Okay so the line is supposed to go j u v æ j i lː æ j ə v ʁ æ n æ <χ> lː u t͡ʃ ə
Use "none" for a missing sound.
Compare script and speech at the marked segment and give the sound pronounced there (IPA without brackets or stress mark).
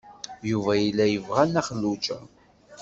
χ